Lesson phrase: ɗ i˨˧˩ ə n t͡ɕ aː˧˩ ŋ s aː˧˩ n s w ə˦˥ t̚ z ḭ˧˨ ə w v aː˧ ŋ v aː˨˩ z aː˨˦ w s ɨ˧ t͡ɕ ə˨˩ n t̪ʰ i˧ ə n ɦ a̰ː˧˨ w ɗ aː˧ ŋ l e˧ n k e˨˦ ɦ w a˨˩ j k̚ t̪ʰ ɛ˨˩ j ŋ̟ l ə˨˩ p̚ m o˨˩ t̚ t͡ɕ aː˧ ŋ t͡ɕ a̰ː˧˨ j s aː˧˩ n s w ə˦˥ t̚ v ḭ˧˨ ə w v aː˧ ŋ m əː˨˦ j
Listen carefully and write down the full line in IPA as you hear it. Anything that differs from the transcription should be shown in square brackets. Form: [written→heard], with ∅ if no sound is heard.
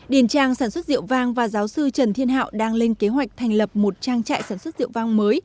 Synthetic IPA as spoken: ɗ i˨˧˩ ə n t͡ɕ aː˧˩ ŋ s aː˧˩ n s w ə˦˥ t̚ z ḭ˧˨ ə w v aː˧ ŋ v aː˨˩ z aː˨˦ w s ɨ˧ t͡ɕ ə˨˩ n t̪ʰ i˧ ə n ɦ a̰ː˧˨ w ɗ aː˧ ŋ l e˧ n k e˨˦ ɦ w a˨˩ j k̚ t̪ʰ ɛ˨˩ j ŋ̟ l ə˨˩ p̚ m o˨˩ t̚ t͡ɕ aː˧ ŋ t͡ɕ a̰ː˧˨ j s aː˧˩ n s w ə˦˥ t̚ [v→z] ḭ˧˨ ə w v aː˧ ŋ m əː˨˦ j